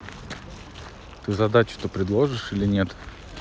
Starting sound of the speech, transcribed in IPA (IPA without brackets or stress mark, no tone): t̪